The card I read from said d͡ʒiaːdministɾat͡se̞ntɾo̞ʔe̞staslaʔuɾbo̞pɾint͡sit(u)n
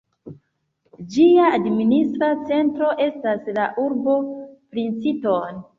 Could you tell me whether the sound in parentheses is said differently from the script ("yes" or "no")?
yes